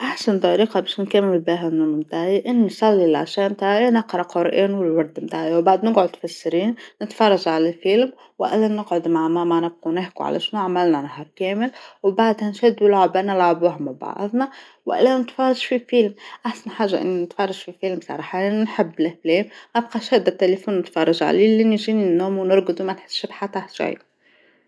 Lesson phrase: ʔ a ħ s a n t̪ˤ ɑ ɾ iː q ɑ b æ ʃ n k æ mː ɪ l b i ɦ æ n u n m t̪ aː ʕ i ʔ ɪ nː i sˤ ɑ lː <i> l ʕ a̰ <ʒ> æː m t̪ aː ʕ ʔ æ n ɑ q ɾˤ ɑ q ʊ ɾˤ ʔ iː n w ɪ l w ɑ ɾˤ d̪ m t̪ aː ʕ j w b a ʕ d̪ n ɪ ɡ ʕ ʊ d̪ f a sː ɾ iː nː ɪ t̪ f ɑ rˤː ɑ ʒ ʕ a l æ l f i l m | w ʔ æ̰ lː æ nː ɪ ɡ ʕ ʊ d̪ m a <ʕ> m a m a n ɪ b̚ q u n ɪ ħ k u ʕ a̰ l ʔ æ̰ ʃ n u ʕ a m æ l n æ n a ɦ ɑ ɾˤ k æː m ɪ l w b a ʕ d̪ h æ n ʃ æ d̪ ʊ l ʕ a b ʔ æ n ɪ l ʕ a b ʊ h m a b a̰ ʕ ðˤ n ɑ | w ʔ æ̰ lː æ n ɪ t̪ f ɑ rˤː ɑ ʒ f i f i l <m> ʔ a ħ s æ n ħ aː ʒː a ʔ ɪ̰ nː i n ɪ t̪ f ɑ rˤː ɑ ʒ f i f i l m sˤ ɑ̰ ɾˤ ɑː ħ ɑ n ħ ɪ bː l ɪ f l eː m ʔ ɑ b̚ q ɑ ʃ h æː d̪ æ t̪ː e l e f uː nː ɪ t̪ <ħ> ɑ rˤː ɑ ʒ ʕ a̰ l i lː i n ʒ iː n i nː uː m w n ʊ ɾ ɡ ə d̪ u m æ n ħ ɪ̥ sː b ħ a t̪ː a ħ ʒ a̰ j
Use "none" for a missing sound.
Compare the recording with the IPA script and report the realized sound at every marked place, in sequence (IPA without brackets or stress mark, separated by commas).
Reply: i, ʃ, ʕ, m, f